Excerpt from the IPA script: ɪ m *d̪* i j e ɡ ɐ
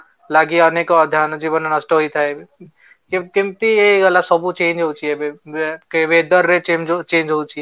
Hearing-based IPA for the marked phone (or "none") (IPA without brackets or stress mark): t̪